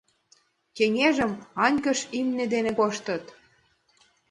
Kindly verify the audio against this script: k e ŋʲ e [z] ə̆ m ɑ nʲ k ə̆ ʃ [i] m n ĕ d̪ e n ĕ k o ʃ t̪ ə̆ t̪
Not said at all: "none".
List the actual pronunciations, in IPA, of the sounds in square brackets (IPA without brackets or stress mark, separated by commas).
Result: ʒ, i